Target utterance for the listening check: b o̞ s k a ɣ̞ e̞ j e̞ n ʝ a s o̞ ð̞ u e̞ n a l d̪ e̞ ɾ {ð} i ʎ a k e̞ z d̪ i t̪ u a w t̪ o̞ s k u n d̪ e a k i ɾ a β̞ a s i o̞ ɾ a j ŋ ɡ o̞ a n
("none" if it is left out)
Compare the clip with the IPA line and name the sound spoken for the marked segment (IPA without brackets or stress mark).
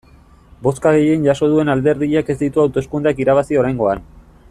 ð